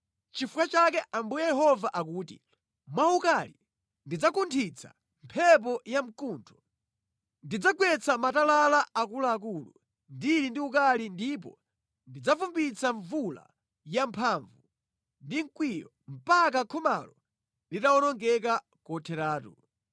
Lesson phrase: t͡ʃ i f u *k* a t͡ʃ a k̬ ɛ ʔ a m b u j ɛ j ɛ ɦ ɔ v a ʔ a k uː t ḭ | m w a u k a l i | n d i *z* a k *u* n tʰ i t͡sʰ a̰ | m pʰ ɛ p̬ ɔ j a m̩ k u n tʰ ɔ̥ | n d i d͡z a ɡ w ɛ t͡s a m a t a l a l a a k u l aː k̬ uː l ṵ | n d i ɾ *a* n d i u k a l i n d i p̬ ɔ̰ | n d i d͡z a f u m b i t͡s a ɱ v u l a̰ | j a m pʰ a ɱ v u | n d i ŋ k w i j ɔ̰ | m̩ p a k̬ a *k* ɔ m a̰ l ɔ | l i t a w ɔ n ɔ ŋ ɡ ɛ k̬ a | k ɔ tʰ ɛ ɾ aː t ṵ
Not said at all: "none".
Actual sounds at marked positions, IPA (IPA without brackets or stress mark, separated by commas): k, d͡z, u, i, kʰ